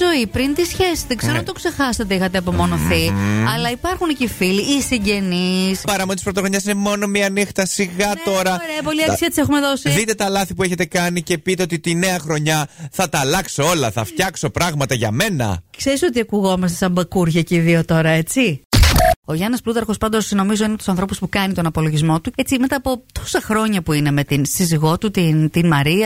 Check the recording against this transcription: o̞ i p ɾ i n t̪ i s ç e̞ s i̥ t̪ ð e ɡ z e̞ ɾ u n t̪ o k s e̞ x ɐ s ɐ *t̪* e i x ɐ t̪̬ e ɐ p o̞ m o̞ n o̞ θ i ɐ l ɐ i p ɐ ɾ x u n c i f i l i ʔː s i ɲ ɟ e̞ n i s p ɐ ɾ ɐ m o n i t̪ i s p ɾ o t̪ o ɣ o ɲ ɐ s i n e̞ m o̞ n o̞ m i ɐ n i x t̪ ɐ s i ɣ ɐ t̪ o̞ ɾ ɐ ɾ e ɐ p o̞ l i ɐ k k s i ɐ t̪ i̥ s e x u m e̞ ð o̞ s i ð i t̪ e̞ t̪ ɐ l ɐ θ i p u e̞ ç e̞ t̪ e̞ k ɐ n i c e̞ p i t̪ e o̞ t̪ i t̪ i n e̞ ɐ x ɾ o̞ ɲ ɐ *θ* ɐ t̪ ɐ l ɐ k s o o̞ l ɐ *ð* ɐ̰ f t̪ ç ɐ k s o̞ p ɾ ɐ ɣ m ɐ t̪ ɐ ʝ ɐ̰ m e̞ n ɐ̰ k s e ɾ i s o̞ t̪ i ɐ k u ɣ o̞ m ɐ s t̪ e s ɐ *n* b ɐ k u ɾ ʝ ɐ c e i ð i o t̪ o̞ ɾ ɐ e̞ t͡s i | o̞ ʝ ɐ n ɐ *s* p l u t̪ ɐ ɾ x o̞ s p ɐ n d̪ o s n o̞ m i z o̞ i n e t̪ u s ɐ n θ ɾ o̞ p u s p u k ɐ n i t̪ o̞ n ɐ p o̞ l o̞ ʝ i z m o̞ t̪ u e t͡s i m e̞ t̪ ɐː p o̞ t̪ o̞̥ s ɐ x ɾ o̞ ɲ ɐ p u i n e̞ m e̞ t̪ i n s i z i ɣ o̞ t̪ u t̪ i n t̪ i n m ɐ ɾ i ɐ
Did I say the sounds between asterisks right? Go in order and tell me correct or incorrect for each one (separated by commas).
correct, correct, incorrect, incorrect, correct